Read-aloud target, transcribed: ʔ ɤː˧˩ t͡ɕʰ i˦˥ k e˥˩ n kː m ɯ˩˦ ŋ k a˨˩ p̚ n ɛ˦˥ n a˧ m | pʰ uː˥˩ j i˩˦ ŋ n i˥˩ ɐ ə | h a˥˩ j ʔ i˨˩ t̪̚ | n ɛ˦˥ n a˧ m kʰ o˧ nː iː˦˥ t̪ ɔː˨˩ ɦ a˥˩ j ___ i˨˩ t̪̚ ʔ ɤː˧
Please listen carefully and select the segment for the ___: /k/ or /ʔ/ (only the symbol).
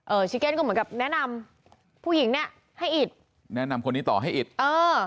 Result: ʔ